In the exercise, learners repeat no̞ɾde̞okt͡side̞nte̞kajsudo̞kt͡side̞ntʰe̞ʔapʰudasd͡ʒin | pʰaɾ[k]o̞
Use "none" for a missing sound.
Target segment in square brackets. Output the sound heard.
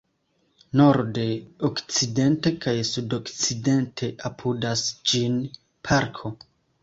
kʰ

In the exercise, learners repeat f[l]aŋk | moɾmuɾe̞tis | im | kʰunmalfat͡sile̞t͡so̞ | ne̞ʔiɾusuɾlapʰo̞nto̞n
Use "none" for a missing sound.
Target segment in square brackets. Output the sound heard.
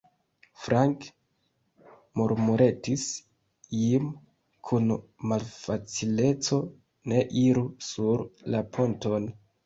ɾ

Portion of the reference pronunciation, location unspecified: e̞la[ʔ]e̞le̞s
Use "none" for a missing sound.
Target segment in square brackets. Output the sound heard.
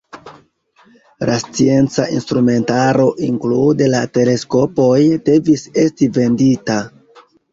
t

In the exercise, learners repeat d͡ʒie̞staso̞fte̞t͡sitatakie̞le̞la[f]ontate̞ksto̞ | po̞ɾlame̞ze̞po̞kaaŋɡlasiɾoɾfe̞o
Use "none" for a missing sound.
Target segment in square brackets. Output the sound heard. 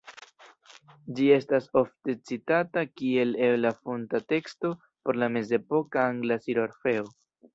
f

